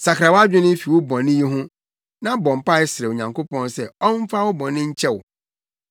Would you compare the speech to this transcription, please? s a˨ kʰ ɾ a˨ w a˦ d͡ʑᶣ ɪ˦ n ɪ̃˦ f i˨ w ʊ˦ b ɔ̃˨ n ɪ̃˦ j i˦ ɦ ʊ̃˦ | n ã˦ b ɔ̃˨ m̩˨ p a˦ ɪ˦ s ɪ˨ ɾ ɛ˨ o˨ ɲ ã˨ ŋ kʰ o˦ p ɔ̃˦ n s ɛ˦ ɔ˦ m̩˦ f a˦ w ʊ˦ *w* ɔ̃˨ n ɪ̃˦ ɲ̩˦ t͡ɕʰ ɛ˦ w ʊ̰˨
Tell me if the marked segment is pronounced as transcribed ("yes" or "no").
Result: no